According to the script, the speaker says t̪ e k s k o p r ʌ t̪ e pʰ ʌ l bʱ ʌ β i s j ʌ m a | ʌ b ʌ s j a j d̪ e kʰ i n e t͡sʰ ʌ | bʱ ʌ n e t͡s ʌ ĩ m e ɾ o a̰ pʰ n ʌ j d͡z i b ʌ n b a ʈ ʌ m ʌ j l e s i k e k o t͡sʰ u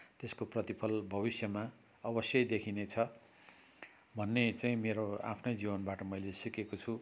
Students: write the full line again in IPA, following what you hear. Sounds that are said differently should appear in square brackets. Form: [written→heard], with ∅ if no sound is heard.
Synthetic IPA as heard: t̪ e [k→∅] s k o p r ʌ t̪ [e→i] pʰ ʌ l bʱ ʌ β i s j ʌ m a | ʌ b ʌ s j [a→ʌ] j d̪ e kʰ i n e t͡sʰ ʌ | bʱ ʌ [n→nː] e t͡s [ʌ→a] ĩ m e ɾ o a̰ pʰ n ʌ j d͡z i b ʌ n b a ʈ ʌ m ʌ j l e s i k e k o t͡sʰ u

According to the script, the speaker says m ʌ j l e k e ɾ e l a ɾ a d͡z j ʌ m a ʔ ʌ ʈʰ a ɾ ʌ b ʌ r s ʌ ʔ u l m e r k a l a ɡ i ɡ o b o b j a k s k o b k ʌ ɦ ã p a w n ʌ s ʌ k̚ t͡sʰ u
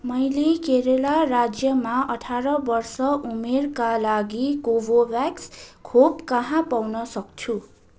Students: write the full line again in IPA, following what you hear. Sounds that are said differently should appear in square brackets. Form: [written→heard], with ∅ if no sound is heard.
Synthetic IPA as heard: m ʌ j l e k e ɾ e l a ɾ a d͡z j ʌ m a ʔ ʌ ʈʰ a ɾ ʌ b ʌ r s ʌ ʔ u [l→∅] m e r k a l a ɡ i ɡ o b o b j a k s [k→kʰ] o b k ʌ ɦ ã p a w n ʌ s ʌ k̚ t͡sʰ u

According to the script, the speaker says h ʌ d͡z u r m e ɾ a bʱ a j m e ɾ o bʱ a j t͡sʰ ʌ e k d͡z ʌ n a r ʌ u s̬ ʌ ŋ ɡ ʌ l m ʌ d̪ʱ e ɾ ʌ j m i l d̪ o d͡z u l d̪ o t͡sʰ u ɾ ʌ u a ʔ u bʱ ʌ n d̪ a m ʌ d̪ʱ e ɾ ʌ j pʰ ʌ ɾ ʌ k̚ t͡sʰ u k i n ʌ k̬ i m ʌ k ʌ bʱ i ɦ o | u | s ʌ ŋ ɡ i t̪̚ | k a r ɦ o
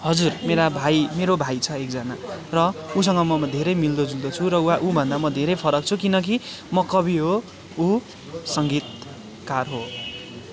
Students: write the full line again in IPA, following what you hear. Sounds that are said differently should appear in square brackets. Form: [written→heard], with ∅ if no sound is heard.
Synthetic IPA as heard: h ʌ d͡z u r m e ɾ a bʱ a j m e ɾ o bʱ a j t͡sʰ ʌ e k d͡z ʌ n a r ʌ u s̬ ʌ ŋ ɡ ʌ [l→∅] m ʌ d̪ʱ e ɾ ʌ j m i l d̪ o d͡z u l d̪ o t͡sʰ u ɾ ʌ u a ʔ u bʱ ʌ n d̪ a m ʌ d̪ʱ e ɾ ʌ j pʰ ʌ ɾ ʌ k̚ t͡sʰ u k i n ʌ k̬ i m ʌ k ʌ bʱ i ɦ o | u | s ʌ ŋ ɡ i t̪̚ | k a r ɦ o

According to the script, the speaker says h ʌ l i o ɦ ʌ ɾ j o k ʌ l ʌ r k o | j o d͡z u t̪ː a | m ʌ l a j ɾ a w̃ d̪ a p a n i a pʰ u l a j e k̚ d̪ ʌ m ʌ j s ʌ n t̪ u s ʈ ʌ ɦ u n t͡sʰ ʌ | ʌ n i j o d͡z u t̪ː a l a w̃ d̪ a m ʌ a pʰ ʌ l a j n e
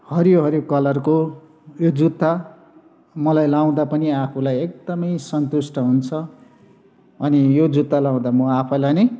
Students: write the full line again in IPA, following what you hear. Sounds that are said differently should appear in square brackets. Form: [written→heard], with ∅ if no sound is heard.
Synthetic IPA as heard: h ʌ [l→ɾ] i o ɦ ʌ ɾ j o k ʌ l ʌ r k o | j o d͡z u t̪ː a | m ʌ l a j [ɾ→l] a w̃ d̪ a p [a→ʌ] n i a pʰ u l a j e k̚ d̪ ʌ m ʌ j s ʌ n t̪ u s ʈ ʌ ɦ u n t͡sʰ ʌ | ʌ n i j o d͡z u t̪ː a l a w̃ d̪ a m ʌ a pʰ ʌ l a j n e

